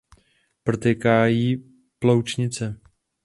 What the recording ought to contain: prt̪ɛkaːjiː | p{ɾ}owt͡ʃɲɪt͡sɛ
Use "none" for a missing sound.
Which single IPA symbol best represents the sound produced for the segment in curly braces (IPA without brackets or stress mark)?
l